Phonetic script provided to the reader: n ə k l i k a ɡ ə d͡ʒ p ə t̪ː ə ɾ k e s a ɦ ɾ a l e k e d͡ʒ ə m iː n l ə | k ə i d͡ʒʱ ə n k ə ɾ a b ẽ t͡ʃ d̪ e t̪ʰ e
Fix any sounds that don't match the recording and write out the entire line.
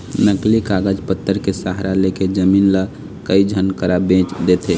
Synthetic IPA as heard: n ə k l i k a ɡ ə d͡ʒ p ə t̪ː ə ɾ k e s a ɦ ɾ a l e k e d͡ʒ ə m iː n l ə | k ə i d͡ʒʱ ə n k ə ɾ a b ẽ t͡ʃ d̪ e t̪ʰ e